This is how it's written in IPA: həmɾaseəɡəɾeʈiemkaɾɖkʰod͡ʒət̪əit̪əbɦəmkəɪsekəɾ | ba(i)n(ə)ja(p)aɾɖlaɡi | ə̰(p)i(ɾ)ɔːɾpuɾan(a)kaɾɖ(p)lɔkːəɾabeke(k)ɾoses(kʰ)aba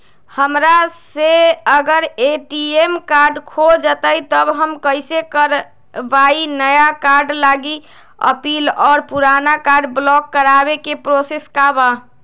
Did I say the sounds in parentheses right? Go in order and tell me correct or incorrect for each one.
correct, correct, incorrect: k, correct, incorrect: l, correct, incorrect: b, incorrect: p, incorrect: k

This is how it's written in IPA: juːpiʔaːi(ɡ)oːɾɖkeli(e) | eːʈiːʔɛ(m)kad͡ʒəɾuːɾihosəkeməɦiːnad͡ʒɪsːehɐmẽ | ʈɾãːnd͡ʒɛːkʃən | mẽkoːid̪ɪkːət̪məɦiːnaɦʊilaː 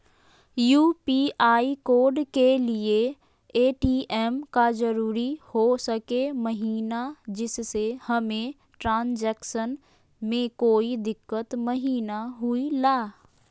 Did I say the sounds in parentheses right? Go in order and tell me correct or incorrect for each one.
incorrect: k, correct, correct

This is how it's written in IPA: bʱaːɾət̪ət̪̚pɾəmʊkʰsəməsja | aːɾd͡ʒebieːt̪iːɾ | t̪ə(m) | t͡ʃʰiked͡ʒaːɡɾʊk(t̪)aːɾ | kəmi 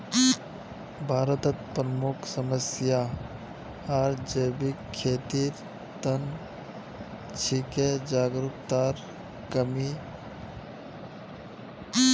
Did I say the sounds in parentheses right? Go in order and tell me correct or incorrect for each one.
incorrect: n, correct

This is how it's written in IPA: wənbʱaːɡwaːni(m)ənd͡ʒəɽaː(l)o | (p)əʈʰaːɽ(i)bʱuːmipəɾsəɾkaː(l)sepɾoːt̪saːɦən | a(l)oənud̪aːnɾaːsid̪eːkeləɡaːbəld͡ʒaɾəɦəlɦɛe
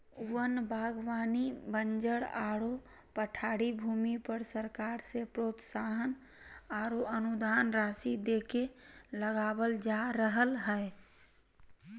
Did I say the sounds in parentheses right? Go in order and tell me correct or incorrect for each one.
incorrect: b, incorrect: ɽ, correct, correct, incorrect: ɾ, incorrect: ɾ

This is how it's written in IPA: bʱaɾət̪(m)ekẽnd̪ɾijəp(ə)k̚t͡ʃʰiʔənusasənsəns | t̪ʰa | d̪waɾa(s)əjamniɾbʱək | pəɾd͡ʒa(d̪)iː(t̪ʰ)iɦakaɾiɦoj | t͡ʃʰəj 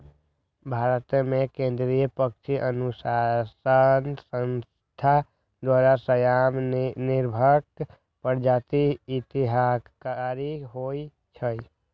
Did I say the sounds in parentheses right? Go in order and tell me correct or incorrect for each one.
correct, correct, correct, incorrect: t̪, incorrect: t̪

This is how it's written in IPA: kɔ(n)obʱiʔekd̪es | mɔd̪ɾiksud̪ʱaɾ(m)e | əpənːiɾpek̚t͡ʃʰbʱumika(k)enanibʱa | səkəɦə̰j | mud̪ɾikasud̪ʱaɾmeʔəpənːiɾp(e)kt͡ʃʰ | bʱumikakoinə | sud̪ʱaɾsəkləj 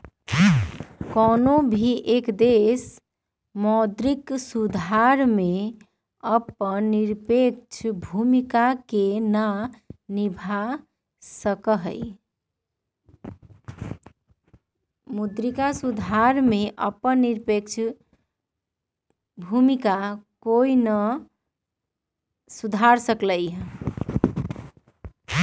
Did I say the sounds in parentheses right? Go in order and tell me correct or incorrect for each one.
correct, correct, correct, correct

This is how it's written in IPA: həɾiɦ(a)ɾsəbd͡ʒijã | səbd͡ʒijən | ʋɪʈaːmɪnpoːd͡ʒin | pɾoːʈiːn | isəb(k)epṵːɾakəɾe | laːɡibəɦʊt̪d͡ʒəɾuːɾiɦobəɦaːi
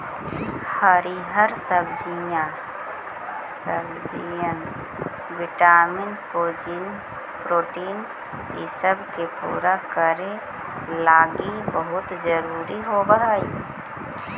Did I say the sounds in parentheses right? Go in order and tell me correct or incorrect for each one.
incorrect: ə, correct

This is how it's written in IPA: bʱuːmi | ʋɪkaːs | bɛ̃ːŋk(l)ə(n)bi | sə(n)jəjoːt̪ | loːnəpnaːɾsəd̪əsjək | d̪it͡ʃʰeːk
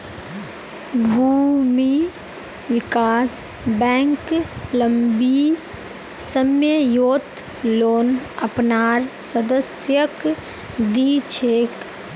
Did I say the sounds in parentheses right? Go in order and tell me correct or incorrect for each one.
correct, incorrect: m, incorrect: m

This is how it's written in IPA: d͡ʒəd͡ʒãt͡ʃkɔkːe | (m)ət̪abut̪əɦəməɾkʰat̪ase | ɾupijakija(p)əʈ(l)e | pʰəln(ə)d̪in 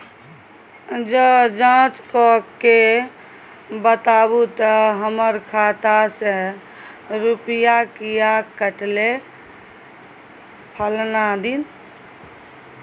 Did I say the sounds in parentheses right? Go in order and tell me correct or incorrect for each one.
incorrect: b, incorrect: k, correct, incorrect: a

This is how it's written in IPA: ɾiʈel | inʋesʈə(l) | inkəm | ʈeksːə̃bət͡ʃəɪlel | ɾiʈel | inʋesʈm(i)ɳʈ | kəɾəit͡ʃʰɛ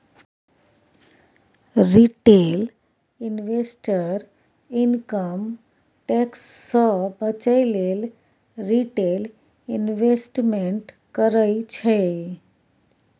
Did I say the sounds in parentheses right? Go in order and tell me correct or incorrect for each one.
incorrect: ɾ, incorrect: e

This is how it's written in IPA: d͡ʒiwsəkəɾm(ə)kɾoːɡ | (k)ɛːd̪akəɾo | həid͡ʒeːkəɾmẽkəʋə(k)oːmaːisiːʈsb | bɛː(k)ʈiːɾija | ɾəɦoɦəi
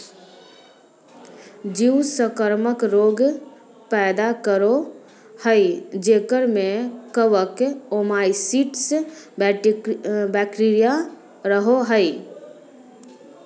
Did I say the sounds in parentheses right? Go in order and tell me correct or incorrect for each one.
correct, incorrect: p, correct, correct

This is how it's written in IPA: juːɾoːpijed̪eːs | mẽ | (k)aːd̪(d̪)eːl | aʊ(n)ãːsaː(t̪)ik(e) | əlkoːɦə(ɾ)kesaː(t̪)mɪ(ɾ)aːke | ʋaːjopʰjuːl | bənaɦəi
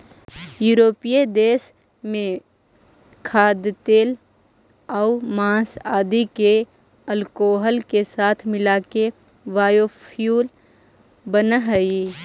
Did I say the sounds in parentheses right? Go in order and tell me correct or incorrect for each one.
incorrect: kʰ, incorrect: t̪, incorrect: m, incorrect: d̪, correct, incorrect: l, incorrect: t̪ʰ, incorrect: l

